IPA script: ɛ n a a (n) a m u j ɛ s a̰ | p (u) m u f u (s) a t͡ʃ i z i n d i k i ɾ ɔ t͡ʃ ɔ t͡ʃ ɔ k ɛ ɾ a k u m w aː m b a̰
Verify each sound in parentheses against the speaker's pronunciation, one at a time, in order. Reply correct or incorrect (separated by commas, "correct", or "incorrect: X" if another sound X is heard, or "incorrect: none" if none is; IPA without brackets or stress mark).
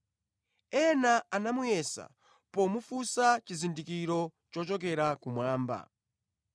correct, incorrect: ɔ, correct